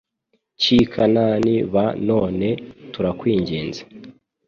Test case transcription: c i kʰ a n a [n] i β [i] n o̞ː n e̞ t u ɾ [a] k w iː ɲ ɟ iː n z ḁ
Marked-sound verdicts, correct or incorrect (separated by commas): correct, incorrect, correct